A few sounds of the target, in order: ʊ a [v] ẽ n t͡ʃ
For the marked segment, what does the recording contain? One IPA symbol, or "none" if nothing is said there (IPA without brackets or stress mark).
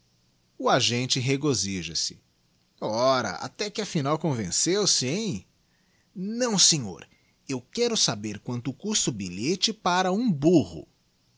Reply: ʒ